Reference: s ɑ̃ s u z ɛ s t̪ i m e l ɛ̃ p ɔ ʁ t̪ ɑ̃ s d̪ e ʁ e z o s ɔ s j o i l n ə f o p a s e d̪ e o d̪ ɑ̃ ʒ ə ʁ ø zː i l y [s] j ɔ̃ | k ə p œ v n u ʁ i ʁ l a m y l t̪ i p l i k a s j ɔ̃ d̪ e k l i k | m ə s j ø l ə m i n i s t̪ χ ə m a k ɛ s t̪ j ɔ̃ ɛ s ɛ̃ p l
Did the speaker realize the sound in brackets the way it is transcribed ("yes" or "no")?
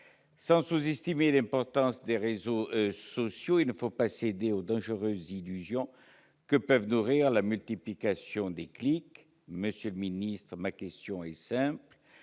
no